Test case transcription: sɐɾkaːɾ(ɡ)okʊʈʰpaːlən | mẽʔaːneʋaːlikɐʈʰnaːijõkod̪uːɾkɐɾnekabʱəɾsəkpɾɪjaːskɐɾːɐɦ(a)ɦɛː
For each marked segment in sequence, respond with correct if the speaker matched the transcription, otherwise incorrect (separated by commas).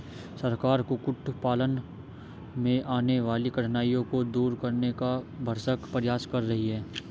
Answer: incorrect, incorrect